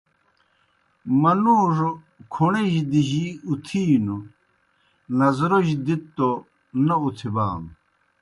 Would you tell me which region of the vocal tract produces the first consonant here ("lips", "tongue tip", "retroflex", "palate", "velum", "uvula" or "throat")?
lips